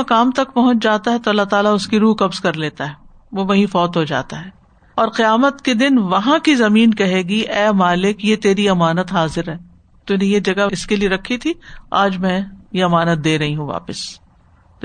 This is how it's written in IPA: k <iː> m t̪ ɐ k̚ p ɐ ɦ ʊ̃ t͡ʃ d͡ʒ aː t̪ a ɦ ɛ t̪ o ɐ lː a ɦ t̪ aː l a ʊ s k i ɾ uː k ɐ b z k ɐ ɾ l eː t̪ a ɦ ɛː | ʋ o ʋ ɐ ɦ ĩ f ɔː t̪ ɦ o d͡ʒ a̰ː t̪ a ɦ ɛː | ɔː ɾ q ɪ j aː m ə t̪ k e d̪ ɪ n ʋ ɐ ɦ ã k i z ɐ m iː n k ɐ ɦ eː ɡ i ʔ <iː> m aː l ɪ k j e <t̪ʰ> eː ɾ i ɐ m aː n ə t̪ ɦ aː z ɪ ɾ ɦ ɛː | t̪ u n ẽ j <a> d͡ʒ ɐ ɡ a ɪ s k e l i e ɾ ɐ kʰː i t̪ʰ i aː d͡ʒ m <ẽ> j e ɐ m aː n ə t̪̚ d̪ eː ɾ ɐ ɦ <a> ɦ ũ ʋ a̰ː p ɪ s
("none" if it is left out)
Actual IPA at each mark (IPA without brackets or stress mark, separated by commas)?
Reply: aː, ɛː, t̪, e, ɛ̃, i